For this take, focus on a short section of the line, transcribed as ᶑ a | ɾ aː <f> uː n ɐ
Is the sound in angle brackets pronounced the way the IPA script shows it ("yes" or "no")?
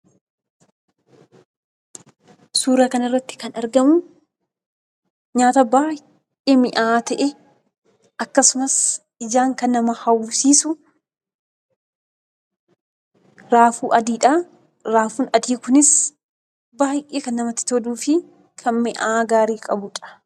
yes